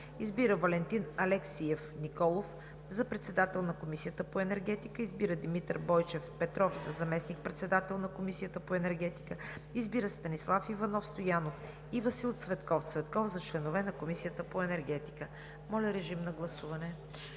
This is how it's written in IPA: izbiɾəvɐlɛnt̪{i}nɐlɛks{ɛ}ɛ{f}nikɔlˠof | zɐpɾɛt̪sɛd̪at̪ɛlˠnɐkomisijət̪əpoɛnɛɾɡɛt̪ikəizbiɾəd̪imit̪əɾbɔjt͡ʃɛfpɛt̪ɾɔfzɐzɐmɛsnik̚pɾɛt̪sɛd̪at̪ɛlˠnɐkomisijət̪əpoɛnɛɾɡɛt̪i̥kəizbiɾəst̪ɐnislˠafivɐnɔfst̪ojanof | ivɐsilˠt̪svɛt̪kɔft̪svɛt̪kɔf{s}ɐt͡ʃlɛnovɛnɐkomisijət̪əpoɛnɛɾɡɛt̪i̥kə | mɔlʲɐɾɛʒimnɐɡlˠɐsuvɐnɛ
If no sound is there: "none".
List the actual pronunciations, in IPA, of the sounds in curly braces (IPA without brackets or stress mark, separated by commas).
i, i, f, z